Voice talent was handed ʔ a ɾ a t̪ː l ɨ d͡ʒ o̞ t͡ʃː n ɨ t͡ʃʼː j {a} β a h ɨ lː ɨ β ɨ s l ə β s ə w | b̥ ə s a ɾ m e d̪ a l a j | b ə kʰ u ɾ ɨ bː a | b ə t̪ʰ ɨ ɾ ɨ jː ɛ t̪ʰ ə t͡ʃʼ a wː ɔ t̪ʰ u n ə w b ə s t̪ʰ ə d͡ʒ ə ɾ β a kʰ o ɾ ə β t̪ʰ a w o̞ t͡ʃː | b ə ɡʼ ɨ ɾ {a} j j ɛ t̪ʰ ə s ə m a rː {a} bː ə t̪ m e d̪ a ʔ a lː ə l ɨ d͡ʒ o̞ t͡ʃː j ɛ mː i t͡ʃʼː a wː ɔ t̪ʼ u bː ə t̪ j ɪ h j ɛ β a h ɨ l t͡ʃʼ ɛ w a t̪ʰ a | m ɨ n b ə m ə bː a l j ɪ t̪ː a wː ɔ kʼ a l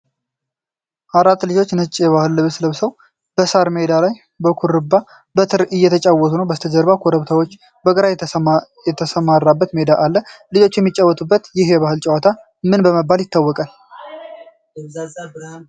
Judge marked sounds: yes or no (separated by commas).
no, yes, yes